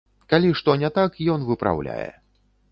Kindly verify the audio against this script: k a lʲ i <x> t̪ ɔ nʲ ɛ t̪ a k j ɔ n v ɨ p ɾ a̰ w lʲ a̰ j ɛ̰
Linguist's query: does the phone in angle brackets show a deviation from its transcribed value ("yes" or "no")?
yes